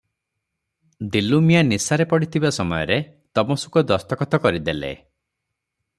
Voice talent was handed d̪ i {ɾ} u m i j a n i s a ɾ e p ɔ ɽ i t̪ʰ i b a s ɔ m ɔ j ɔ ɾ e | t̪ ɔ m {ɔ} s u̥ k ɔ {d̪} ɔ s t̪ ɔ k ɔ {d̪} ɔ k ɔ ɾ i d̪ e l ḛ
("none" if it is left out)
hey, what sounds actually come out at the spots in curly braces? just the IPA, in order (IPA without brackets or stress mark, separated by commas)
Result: l, ɔ, d̪, t̪